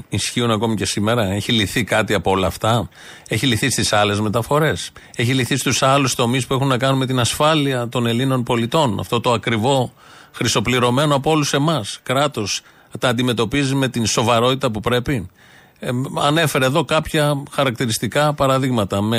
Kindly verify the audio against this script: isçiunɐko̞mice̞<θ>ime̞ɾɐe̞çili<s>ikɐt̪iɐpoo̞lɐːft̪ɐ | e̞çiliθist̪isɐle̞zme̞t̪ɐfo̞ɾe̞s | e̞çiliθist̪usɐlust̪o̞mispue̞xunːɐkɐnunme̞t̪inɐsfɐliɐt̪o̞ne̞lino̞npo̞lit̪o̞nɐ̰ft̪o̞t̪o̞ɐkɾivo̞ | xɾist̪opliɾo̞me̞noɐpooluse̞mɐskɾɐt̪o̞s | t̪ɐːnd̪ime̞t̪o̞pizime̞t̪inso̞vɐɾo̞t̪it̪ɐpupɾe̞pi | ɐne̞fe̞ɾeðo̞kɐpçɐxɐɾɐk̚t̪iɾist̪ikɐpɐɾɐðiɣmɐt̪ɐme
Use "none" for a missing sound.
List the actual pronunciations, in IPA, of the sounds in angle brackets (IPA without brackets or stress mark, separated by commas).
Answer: s, θ